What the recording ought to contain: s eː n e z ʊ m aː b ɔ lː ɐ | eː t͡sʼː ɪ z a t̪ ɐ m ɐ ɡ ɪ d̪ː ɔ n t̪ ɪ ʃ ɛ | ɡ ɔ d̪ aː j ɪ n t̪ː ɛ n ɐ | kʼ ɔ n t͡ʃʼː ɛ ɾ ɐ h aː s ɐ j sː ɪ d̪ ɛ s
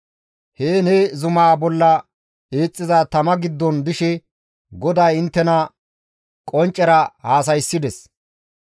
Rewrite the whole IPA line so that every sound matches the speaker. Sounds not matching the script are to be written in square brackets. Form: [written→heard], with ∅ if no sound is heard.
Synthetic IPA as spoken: [s→h] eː n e z ʊ m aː b ɔ lː ɐ | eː t͡sʼː ɪ z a t̪ ɐ m ɐ ɡ ɪ d̪ː ɔ n [t̪→d̪] ɪ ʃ ɛ | ɡ ɔ d̪ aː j ɪ n t̪ː ɛ n ɐ | kʼ ɔ n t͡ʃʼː ɛ ɾ ɐ h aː s ɐ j sː ɪ d̪ ɛ s